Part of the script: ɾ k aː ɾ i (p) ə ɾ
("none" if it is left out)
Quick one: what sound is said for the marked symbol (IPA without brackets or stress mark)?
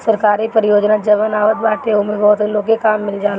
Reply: p